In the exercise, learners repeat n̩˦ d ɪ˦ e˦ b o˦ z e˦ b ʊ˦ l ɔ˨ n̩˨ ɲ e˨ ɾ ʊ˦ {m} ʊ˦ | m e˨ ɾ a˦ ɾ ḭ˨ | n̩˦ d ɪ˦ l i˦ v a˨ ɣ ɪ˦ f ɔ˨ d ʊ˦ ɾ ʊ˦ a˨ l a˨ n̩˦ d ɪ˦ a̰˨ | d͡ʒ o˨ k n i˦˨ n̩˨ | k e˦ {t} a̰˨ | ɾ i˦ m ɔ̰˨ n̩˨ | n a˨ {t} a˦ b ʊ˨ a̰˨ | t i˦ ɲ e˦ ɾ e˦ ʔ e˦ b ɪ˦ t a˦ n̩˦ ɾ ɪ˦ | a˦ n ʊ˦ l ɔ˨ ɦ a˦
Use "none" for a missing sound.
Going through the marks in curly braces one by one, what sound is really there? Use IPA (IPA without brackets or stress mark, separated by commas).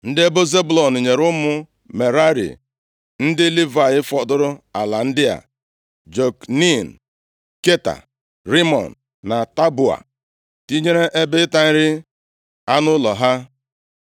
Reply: m, t, t